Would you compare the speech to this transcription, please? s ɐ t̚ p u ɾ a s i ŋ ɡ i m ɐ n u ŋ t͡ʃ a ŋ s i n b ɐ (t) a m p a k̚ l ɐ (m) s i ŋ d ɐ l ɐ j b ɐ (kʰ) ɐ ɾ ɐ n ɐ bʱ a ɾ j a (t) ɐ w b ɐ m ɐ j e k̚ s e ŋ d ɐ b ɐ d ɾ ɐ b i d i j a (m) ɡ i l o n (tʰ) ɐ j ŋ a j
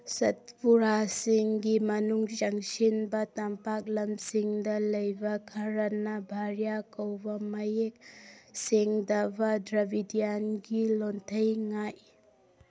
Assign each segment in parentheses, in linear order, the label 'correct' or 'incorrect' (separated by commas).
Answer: correct, correct, correct, incorrect, incorrect, correct